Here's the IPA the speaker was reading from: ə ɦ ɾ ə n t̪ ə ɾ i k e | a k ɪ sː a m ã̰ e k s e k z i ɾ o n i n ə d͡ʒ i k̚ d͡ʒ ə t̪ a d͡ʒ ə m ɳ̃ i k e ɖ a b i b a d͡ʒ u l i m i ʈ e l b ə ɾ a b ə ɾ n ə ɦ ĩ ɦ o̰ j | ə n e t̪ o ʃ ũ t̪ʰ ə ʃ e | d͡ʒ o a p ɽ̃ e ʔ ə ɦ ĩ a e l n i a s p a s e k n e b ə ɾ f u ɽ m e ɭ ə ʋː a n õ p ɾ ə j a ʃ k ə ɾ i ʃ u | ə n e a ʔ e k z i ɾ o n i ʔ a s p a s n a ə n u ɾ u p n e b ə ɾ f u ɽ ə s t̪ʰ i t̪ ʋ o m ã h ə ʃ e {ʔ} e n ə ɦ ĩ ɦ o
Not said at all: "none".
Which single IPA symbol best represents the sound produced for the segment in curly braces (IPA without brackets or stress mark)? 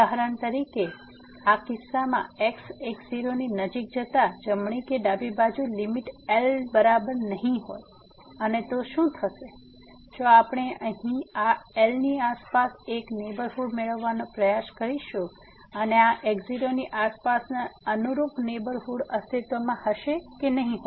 k